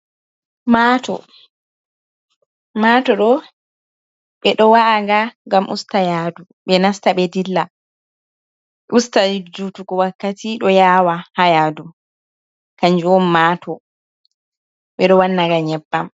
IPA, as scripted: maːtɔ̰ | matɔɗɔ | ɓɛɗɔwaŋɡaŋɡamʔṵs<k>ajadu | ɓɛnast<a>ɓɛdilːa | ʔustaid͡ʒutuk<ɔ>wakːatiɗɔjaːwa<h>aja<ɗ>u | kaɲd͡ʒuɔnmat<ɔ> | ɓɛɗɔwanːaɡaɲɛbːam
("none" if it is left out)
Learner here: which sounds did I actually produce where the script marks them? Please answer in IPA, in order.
t, a, ɔ, h, d, ɔ

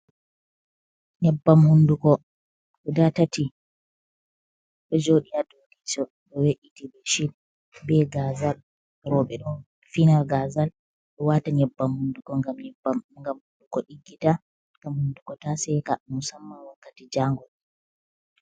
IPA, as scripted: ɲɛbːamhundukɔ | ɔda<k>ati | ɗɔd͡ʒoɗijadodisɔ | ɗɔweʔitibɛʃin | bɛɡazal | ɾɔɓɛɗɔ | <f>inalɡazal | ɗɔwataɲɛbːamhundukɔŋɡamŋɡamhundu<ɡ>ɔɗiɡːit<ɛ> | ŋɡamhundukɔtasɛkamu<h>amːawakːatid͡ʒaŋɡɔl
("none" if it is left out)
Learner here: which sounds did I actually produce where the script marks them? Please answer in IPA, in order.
t, f, k, a, s

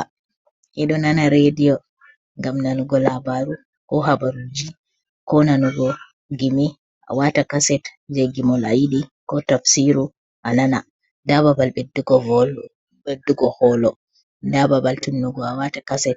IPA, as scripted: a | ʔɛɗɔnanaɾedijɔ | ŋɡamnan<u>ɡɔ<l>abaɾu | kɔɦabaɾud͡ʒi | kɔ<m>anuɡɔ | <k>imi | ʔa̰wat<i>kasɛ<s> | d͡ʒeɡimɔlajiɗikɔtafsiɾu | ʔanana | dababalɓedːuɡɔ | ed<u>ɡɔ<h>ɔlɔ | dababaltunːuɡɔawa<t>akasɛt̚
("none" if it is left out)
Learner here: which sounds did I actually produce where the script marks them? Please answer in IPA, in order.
u, l, n, ɡ, a, t, u, h, t

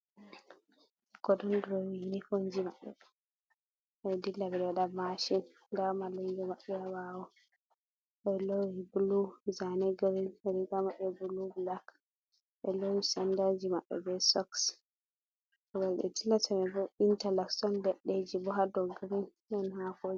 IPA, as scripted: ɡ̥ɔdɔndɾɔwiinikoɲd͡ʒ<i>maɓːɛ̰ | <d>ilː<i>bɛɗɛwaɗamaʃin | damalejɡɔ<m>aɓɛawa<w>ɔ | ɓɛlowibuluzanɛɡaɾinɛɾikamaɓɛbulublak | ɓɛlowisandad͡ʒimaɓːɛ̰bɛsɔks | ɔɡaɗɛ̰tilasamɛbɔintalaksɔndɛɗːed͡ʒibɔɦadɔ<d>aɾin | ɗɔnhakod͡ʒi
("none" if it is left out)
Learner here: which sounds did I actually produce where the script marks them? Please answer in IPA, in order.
i, d, a, m, w, ɡ

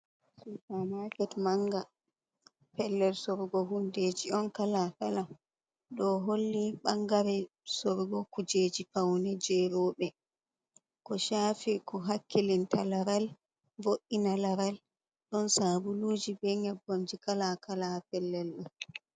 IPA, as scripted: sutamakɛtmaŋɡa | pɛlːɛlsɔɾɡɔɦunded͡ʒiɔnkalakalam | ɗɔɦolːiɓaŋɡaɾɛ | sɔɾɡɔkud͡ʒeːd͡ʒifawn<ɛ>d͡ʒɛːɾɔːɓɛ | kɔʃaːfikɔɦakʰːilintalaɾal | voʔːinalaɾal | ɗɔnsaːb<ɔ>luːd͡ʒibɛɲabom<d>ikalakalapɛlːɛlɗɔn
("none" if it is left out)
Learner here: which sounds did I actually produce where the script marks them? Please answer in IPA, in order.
ɛ, u, d͡ʒ

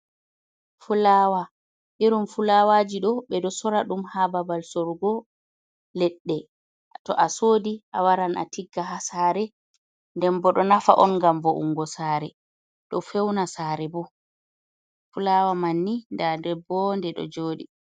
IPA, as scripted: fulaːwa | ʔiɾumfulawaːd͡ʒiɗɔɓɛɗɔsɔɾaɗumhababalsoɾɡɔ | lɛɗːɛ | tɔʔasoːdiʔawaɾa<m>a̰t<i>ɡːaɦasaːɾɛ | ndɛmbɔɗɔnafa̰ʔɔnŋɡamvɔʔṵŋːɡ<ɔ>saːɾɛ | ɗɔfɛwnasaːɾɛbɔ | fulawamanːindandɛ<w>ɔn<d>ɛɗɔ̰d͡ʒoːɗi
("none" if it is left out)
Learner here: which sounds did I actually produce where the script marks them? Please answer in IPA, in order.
n, i, ɔ, b, d

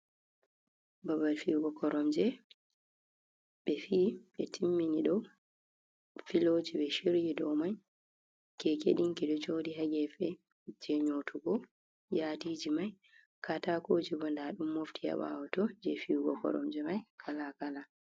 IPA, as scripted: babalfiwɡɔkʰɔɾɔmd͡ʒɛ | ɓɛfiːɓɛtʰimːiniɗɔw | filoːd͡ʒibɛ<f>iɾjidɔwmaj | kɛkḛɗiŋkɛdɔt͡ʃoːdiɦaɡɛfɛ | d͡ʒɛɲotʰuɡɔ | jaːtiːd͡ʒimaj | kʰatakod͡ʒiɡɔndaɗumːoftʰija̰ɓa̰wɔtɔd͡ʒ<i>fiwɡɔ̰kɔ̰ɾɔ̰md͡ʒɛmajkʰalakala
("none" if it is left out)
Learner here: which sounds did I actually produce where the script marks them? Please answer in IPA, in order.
ʃ, ɛ

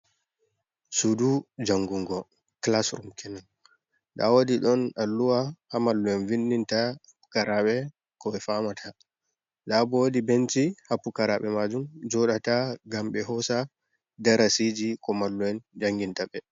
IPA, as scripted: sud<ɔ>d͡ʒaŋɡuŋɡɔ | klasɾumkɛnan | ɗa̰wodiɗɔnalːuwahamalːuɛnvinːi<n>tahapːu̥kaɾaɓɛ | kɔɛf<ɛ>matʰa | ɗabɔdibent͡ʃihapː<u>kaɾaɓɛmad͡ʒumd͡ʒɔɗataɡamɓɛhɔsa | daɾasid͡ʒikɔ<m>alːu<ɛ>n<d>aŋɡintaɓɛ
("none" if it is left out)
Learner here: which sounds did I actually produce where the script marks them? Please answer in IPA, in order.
u, n, a, u, m, ɛ, d͡ʒ

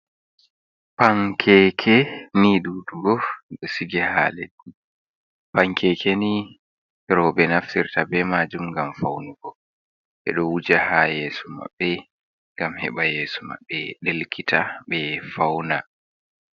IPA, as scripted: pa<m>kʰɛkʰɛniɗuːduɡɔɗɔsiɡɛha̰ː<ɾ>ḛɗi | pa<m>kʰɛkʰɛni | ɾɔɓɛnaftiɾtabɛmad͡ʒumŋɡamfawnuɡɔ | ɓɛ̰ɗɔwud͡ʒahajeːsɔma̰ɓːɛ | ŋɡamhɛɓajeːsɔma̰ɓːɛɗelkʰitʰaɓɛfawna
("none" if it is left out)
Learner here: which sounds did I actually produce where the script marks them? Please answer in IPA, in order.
ŋ, l, ŋ

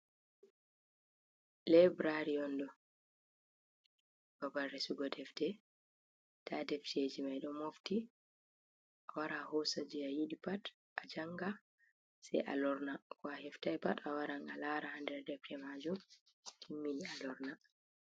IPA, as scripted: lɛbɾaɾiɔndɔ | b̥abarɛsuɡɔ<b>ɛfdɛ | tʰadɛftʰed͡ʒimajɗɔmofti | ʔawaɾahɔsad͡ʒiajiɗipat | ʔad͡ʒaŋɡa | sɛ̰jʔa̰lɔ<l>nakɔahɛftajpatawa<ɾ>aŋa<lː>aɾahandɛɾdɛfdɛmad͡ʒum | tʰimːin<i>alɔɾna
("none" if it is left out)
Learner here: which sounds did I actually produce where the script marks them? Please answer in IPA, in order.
d, ɾ, ɾ, l, i

